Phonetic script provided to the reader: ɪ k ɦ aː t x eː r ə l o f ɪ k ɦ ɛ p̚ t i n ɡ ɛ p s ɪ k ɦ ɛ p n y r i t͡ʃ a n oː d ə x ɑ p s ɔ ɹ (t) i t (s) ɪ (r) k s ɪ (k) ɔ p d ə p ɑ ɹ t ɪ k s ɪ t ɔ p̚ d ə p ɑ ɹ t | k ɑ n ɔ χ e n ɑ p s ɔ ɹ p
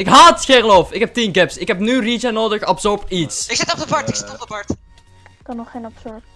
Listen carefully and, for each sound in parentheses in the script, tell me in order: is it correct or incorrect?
incorrect: p, correct, incorrect: none, incorrect: t

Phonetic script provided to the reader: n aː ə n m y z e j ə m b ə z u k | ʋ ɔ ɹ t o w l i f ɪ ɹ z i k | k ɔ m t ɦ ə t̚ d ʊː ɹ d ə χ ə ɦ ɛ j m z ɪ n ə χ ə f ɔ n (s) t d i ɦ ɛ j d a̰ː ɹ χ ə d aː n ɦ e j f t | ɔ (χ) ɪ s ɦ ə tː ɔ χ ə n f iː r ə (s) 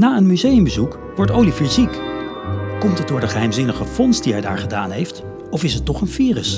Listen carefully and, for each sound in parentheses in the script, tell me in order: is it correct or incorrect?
correct, incorrect: f, correct

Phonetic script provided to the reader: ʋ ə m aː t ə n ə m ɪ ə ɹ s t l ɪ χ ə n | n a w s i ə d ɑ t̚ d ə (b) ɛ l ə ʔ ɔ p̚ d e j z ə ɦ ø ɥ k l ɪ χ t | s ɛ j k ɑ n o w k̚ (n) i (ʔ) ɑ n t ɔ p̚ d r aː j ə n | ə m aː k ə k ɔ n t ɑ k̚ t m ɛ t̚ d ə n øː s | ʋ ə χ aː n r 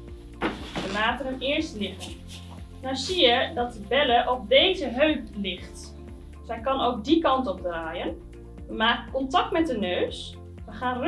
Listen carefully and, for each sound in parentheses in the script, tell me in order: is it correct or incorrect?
correct, incorrect: d, incorrect: k

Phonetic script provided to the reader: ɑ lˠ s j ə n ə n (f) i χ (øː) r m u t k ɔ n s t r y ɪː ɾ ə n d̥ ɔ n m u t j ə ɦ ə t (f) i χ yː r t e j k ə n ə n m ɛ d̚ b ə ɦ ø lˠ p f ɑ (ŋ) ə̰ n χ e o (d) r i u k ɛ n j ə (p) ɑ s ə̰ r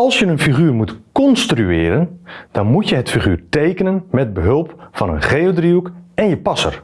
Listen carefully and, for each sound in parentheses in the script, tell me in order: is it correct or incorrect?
correct, incorrect: yː, correct, incorrect: n, correct, correct

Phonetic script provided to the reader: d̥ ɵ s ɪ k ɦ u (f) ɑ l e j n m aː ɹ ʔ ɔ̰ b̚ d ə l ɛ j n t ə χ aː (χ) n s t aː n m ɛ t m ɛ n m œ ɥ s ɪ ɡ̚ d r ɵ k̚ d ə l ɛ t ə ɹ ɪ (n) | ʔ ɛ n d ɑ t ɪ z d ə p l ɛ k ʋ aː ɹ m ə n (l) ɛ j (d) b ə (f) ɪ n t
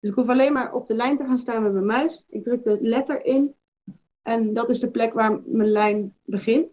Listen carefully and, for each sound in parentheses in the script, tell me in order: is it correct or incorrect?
correct, incorrect: none, correct, correct, incorrect: n, incorrect: χ

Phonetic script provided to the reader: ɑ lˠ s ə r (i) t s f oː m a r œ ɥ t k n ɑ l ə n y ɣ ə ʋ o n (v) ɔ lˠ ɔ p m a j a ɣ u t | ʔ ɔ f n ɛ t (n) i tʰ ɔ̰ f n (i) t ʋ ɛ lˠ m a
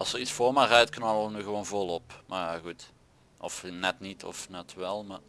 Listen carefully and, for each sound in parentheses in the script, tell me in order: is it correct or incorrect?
correct, correct, correct, incorrect: ɛ

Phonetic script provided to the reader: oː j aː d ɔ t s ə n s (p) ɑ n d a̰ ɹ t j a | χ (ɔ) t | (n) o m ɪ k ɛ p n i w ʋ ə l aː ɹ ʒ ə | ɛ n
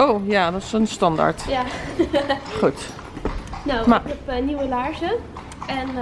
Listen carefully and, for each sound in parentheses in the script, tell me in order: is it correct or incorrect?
incorrect: t, incorrect: u, correct

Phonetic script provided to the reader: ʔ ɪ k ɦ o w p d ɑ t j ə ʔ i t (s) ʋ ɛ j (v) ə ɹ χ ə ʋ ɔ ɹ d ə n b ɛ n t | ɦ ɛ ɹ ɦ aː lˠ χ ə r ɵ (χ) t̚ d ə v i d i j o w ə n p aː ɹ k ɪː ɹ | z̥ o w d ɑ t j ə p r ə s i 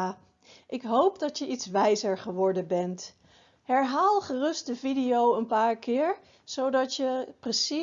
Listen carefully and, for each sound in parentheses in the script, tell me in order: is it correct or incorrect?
correct, incorrect: z, incorrect: s

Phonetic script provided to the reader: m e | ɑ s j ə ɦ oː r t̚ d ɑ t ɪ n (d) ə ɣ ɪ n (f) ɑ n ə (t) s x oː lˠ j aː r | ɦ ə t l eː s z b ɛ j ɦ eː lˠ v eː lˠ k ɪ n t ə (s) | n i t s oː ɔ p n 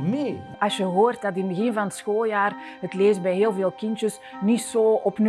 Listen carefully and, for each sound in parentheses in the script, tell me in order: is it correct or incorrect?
incorrect: b, incorrect: v, correct, correct

